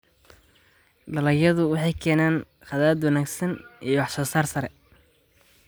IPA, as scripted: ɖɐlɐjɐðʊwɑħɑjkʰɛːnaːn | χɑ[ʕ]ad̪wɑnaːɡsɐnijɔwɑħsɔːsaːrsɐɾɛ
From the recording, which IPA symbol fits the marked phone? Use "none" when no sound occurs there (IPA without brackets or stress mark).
ð